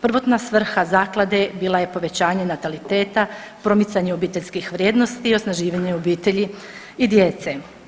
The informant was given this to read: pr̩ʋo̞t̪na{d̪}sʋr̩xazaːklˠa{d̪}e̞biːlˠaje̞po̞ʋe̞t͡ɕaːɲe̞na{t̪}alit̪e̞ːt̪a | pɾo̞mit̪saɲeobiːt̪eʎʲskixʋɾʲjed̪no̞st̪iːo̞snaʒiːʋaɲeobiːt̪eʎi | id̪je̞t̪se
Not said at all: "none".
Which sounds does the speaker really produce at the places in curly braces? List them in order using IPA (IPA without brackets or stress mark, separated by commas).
none, d̪, t̪